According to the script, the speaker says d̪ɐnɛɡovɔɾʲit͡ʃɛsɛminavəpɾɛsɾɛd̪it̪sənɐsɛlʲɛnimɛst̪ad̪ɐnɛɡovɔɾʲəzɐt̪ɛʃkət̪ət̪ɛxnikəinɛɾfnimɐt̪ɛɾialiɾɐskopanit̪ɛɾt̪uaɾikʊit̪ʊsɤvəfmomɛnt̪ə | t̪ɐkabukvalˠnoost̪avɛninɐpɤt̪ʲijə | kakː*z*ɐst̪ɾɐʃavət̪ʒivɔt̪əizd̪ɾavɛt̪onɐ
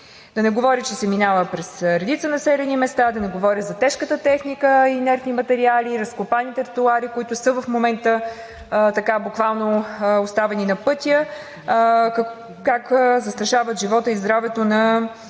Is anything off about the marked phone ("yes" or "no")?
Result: no